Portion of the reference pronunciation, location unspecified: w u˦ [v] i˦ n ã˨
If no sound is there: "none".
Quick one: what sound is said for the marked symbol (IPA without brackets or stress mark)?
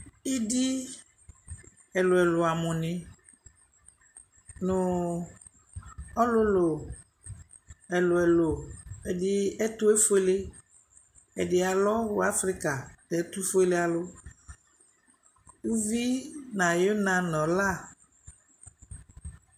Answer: v